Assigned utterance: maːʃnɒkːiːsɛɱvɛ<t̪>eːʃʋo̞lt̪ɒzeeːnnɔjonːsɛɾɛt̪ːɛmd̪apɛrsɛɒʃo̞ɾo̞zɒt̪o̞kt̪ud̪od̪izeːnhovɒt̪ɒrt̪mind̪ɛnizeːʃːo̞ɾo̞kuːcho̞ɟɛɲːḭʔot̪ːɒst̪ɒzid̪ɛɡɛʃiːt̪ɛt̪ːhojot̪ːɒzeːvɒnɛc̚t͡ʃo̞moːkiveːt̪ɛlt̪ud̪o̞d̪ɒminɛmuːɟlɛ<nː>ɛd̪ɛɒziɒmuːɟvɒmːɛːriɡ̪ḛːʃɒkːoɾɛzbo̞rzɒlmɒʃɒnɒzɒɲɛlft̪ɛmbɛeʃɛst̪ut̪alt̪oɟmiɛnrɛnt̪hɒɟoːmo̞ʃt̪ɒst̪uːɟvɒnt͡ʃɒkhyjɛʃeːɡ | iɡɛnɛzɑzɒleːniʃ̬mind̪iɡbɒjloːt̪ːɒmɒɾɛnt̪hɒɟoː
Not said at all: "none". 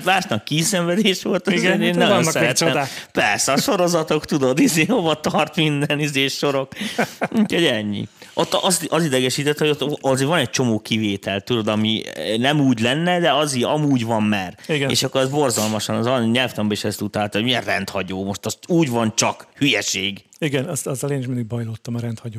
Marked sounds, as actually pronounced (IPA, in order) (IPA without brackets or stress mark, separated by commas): d̪, nː